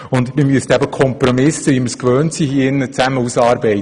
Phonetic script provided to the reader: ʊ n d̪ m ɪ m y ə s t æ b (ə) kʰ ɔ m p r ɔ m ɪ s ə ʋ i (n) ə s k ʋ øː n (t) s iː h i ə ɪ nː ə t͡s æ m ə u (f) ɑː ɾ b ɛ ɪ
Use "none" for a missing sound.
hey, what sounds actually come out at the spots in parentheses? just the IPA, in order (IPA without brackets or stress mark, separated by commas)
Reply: ə, m, t, s